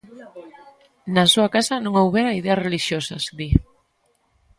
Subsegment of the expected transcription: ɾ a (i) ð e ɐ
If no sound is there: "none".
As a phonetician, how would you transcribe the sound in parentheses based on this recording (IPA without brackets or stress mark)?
i